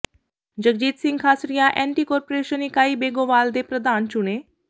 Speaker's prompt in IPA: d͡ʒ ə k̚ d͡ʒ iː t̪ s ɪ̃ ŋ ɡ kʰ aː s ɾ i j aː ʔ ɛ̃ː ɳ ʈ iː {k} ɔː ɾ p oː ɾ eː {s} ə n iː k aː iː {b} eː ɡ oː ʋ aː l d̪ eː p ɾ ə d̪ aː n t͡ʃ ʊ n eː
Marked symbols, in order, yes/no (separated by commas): yes, no, yes